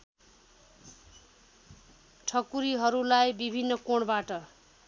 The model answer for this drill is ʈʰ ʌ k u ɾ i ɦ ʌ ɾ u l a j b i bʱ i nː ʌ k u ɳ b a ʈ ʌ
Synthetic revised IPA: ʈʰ ʌ k u ɾ i ɦ ʌ ɾ u l a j b i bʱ i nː ʌ k o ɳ b a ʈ ʌ

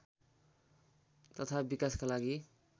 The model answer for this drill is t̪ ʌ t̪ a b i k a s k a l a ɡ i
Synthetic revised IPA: t̪ ʌ t̪ʰ a b i k a s k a l a ɡ i

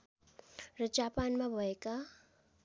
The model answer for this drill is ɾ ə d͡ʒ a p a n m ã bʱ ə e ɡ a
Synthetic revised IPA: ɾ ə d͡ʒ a p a n m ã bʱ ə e k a

